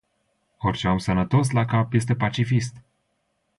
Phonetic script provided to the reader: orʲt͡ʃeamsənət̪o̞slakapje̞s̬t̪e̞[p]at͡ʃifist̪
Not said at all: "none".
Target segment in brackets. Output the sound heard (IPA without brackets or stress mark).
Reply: p